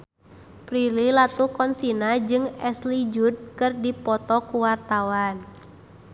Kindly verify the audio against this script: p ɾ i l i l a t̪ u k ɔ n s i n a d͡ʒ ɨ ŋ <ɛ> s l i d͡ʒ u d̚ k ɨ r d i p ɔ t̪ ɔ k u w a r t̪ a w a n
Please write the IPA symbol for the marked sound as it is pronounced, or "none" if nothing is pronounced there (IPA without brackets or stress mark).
ɛ